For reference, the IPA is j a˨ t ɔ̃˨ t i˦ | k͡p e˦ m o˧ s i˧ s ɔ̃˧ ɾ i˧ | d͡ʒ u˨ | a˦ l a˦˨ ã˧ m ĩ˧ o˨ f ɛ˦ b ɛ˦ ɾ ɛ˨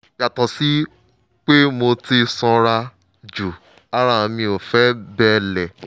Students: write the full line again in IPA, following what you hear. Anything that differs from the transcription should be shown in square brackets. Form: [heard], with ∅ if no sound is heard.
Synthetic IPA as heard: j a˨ t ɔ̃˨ [s] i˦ | k͡p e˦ m o˧ [t] i˧ s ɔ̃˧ ɾ [a˧] | d͡ʒ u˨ | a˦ [ɾ] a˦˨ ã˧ m ĩ˧ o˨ f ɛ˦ b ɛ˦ [l] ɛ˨